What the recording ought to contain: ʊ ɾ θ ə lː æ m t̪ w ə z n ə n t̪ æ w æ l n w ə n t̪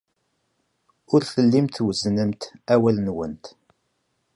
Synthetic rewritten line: ʊ ɾ θ ə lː i m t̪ w ə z n ə m t̪ æ w æ l n w ə n t̪